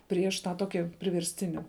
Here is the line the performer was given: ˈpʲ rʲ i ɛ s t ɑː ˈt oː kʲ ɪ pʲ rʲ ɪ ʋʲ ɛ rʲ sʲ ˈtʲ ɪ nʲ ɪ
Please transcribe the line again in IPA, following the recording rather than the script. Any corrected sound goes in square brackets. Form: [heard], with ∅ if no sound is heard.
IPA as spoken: ˈpʲ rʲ i ɛ [ʃ] t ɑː ˈt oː kʲ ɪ pʲ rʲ ɪ ʋʲ ɛ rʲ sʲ ˈtʲ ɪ nʲ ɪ